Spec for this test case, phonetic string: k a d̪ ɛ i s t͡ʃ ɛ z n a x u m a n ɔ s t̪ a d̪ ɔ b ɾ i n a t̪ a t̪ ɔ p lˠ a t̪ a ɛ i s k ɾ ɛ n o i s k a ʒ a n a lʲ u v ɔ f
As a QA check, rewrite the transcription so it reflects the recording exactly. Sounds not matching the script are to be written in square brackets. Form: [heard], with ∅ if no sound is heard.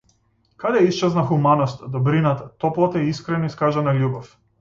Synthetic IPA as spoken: k a d̪ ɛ i s t͡ʃ ɛ z n a x u m a n ɔ s t̪ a d̪ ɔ b ɾ i n a t̪ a t̪ ɔ p lˠ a t̪ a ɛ i s k ɾ ɛ n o i s k a ʒ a n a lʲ u [b] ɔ f